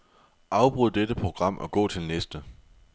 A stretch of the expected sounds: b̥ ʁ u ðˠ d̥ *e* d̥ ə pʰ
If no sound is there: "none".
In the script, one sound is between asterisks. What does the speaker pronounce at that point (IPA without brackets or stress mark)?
e